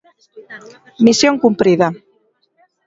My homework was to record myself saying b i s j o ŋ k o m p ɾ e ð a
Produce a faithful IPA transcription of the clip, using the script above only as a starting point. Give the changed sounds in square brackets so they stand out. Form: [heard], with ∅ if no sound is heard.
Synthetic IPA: [m] i s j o ŋ k [u] m p ɾ [i] ð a